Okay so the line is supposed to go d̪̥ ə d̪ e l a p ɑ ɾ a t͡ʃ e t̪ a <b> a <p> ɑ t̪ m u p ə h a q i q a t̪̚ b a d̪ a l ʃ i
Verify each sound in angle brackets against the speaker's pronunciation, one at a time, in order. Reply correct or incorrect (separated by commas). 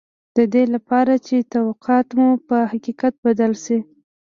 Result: incorrect, incorrect